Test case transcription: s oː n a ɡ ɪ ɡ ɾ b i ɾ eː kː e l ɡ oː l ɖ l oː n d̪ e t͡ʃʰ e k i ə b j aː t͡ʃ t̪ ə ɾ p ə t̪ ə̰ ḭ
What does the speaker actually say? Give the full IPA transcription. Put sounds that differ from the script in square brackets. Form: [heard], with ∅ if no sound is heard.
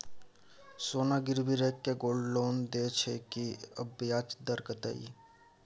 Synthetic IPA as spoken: s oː n a ɡ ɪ [∅] ɾ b i ɾ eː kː e [∅] ɡ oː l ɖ l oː n d̪ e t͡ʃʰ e k i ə b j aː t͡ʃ [d̪] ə ɾ [k] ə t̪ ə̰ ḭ